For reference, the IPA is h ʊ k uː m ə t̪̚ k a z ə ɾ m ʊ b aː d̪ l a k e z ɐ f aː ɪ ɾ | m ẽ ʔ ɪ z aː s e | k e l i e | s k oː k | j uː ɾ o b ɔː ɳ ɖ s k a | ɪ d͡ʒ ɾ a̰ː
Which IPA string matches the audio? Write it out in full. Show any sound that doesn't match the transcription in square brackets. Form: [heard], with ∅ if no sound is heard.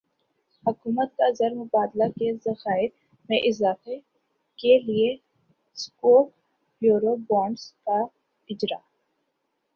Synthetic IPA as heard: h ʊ k uː m ə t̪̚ k a z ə ɾ m ʊ b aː d̪ l a k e z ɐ [x] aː ɪ ɾ | m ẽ ʔ ɪ z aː [f] e | k e l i e | s k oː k | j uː ɾ o b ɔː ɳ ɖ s k a | ɪ d͡ʒ ɾ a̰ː